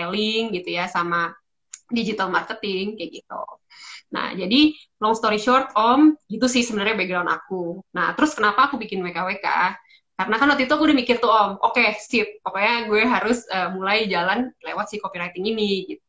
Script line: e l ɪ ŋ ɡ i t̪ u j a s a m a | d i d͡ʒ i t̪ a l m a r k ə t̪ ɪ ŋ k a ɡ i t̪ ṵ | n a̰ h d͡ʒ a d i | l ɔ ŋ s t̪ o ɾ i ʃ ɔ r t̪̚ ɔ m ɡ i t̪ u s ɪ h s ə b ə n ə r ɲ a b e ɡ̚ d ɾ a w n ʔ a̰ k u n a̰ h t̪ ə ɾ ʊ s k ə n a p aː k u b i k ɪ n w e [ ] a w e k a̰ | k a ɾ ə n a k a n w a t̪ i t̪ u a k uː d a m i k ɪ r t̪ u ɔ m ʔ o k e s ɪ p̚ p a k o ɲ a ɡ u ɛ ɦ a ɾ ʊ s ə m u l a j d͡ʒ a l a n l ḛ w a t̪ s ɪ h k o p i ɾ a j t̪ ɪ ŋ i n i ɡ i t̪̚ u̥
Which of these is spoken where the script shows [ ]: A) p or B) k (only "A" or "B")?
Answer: B